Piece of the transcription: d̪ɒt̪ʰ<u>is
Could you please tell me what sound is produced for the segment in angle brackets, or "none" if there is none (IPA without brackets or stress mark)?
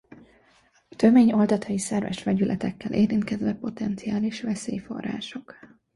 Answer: ɒ